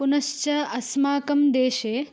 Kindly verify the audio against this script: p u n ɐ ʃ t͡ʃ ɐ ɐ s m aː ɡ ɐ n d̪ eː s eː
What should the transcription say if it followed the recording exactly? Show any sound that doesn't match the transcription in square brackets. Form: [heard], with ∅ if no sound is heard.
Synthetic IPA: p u n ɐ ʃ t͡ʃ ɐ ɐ s m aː [k] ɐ [m] d̪ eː [ʃ] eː